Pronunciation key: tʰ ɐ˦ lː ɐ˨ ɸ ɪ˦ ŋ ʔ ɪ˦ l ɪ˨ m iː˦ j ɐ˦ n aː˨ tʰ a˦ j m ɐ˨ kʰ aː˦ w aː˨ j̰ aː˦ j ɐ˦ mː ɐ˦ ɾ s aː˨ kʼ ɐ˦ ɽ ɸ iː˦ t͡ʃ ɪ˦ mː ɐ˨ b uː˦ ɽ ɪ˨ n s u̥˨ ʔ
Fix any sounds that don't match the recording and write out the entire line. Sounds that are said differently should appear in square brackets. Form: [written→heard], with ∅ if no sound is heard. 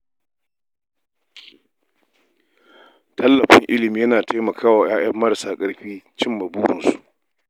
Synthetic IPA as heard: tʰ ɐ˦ lː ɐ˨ ɸ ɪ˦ ŋ ʔ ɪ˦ l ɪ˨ m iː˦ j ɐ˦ n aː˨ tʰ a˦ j m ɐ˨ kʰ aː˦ w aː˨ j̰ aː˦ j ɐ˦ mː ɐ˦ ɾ s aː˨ kʼ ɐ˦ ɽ ɸ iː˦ t͡ʃ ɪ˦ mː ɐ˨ b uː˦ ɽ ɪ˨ n s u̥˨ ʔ